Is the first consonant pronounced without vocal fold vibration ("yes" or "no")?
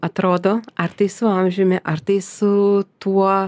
yes